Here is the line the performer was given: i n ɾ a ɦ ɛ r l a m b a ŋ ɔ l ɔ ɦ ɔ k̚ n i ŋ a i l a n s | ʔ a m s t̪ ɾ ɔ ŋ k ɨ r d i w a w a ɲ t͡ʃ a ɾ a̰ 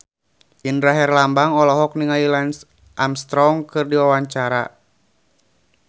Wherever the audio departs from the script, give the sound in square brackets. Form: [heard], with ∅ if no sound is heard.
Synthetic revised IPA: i n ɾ a ɦ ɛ r l a m b a ŋ ɔ l ɔ ɦ ɔ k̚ n i ŋ a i l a n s | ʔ a m s t̪ ɾ ɔ ŋ k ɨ r d i w a w a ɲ t͡ʃ a ɾ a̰